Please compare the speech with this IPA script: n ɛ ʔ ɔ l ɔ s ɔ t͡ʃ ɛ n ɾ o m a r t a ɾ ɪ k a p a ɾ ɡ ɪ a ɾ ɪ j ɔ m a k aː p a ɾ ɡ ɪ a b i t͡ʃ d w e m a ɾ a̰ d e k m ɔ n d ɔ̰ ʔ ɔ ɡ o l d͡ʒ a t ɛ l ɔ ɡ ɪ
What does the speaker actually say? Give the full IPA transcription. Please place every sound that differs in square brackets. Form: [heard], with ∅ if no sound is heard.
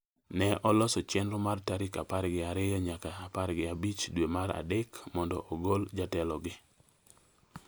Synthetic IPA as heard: n ɛ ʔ ɔ l ɔ s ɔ t͡ʃ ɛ n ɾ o m a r t a ɾ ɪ k a p a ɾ ɡ ɪ a ɾ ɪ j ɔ [ɲ] a k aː p a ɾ ɡ ɪ a b i t͡ʃ d w e m a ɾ a̰ d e k m ɔ n d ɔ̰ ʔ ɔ ɡ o l d͡ʒ a t ɛ l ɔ ɡ ɪ